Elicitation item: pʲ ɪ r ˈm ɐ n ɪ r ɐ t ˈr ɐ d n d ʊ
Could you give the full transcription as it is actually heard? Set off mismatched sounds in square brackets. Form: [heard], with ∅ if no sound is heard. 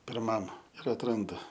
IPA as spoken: pʲ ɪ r ˈm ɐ [m] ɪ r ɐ t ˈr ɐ [∅] n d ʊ